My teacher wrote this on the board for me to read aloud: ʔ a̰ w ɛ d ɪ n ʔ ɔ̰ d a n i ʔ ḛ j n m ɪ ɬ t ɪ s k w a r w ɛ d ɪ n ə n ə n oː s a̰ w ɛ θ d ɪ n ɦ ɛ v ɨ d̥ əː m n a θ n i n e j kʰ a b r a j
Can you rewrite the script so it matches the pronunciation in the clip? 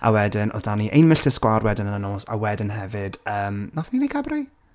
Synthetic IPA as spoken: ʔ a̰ w ɛ d ɪ n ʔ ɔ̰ d a n i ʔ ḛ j n m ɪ ɬ t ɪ s k w a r w ɛ d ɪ n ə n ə n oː s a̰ w ɛ d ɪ n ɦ ɛ v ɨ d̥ əː m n a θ n i n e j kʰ a b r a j